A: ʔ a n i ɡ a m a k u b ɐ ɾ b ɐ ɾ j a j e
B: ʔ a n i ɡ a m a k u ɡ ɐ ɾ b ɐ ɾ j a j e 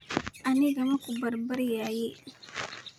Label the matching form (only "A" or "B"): A